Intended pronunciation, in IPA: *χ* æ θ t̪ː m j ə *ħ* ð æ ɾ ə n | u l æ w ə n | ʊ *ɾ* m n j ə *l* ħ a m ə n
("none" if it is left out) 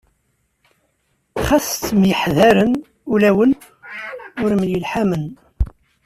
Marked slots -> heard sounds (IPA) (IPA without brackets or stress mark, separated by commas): χ, ħ, ɾ, l